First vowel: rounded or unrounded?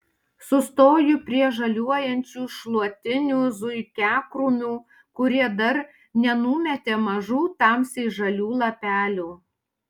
rounded